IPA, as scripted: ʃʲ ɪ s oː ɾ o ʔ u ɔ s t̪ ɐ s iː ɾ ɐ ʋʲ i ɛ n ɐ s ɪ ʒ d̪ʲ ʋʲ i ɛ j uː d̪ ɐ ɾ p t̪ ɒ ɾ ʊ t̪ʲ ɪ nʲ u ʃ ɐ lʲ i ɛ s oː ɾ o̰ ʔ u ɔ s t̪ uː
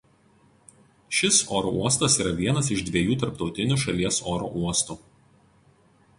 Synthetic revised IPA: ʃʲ ɪ s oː ɾ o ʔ u ɔ s t̪ ɐ s iː ɾ ɐ ʋʲ i ɛ n ɐ s ɪ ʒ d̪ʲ ʋʲ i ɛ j uː t̪ ɐ ɾ p t̪ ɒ ʊ t̪ʲ ɪ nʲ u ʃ ɐ lʲ i ɛ s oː ɾ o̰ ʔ u ɔ s t̪ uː